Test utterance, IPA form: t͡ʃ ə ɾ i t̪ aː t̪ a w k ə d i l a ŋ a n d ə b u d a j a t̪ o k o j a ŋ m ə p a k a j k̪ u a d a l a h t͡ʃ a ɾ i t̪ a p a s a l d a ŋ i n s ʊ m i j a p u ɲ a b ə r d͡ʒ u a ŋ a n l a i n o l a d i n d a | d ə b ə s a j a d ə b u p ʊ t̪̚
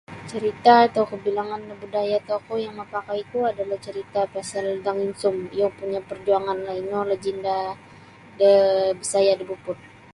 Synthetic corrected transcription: t͡ʃ ə ɾ i t̪ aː t̪ a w k ə b i l a ŋ a n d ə b u d a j a t̪ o k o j a ŋ m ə p a k a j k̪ u a d a l a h t͡ʃ ə ɾ i t̪ a p a s a l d a ŋ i n s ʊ m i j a p u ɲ a p ə r d͡ʒ u a ŋ a n l a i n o l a d͡ʒ i n d a | d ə b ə s a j a d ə b u p ʊ t̪̚